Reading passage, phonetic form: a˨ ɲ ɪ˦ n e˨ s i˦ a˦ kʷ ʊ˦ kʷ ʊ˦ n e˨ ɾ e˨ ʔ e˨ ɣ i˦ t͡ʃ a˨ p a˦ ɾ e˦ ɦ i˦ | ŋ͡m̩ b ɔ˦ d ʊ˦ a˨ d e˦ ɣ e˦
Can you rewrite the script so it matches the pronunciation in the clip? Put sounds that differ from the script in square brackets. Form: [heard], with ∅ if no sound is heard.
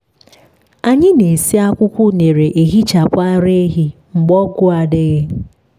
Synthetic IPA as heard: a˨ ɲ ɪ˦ n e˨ s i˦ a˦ kʷ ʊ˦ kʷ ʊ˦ n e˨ ɾ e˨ ʔ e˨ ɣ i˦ t͡ʃ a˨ p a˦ ɾ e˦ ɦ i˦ | ŋ͡m̩ [ɡ͡b] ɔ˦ [ɡ] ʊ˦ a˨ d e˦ ɣ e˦